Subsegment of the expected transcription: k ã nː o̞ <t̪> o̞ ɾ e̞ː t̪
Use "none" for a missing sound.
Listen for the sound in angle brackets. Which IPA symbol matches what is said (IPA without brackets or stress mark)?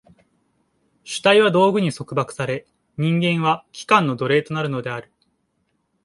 d̪